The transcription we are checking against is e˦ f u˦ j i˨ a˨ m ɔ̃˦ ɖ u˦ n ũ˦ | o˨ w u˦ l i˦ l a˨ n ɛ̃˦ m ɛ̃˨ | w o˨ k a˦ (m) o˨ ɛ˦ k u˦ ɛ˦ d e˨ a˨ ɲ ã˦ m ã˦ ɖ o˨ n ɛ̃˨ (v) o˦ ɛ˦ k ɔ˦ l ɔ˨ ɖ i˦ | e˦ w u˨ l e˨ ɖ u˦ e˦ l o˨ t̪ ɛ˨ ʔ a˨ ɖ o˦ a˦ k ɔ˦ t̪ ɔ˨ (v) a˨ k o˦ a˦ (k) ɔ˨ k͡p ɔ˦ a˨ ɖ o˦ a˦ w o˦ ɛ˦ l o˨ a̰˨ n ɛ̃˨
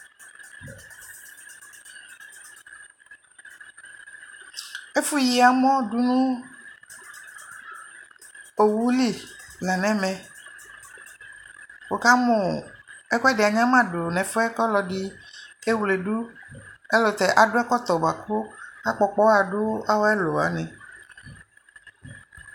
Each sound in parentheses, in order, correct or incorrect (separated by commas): correct, incorrect, incorrect, incorrect